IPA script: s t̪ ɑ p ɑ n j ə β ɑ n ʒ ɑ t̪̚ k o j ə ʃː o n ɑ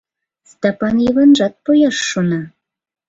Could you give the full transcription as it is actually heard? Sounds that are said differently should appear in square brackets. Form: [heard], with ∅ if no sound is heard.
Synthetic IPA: s t̪ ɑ p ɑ n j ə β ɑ n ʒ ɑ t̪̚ [p] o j [ɑ] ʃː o n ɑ